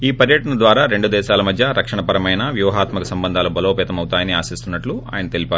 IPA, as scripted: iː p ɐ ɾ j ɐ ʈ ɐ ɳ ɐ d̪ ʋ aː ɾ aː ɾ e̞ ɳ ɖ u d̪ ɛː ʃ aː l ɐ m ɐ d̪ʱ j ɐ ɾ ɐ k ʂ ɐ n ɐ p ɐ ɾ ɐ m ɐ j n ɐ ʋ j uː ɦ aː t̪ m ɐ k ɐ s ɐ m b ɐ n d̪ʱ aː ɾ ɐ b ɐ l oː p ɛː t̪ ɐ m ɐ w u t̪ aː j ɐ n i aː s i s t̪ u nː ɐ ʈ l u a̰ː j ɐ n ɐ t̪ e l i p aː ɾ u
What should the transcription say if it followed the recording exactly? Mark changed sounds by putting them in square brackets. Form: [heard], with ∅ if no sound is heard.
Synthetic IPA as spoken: iː p ɐ ɾ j ɐ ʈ ɐ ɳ ɐ d̪ ʋ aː ɾ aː ɾ e̞ ɳ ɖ u d̪ ɛː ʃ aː l ɐ m ɐ d̪ʱ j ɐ ɾ ɐ k ʂ ɐ [ɳ] ɐ p ɐ ɾ ɐ m ɐ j n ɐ ʋ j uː ɦ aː t̪ m ɐ k ɐ s ɐ m b ɐ n d̪ʱ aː [l] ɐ b ɐ l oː p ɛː t̪ ɐ m ɐ w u t̪ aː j ɐ n i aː s i s t̪ u nː ɐ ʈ l u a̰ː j ɐ n ɐ t̪ e l i p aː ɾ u